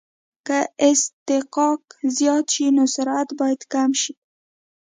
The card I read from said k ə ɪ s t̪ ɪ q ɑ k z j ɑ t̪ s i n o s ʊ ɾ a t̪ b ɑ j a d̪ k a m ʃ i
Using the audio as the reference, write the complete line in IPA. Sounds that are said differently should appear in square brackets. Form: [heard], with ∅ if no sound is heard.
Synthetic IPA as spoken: k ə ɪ s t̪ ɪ q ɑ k z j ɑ t̪ [ʃ] i n o s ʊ ɾ a t̪ b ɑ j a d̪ k a m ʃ i